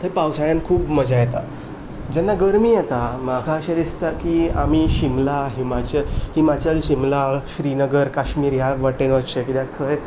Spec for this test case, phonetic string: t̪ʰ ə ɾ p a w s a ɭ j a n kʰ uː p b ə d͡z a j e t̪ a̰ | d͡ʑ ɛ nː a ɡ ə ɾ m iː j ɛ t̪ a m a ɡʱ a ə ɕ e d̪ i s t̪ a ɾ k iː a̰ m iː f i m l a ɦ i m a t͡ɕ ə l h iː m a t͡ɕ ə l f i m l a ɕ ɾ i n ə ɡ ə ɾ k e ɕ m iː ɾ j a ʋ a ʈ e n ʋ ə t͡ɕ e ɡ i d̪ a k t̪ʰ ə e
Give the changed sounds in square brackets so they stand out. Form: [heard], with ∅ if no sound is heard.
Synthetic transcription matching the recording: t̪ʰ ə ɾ p a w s a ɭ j a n kʰ uː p [m] ə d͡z a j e t̪ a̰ | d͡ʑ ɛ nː a ɡ ə ɾ m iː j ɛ t̪ a m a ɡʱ a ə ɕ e d̪ i s t̪ a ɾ k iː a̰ m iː [ɕ] i m l a ɦ i m a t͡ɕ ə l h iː m a t͡ɕ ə l [ɕ] i m l a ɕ ɾ i n ə ɡ ə ɾ k [a] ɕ m iː ɾ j a ʋ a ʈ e n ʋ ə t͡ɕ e [k] i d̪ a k t̪ʰ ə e